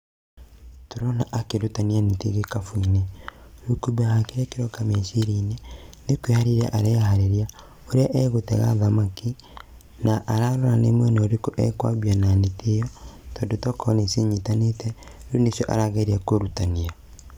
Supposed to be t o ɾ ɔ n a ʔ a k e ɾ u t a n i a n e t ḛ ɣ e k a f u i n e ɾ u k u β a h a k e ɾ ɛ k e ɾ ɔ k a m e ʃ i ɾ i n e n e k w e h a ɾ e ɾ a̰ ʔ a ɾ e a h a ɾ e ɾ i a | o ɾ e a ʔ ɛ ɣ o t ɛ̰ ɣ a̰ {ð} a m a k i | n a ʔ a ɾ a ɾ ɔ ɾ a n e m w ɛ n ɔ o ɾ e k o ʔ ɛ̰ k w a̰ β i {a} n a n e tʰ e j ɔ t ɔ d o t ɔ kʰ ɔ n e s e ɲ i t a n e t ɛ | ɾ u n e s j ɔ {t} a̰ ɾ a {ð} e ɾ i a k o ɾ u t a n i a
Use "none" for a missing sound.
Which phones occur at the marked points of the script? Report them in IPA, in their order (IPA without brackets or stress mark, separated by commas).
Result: ð, a, ʔ, ɣ